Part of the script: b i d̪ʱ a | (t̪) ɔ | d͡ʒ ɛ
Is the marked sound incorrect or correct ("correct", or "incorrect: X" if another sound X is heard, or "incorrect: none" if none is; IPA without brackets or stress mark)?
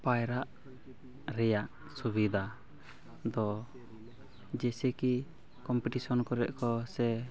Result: incorrect: d̪